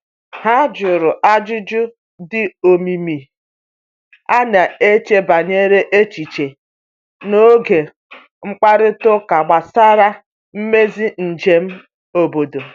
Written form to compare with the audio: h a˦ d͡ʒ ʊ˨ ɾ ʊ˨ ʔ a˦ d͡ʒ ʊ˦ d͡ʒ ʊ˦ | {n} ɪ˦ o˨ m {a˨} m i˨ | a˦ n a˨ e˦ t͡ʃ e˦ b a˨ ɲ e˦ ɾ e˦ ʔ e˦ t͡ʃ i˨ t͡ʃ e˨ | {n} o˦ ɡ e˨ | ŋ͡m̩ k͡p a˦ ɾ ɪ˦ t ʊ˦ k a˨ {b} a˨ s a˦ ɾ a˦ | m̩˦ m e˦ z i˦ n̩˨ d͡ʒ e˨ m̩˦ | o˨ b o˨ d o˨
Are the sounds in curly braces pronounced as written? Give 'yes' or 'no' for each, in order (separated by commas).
no, no, yes, no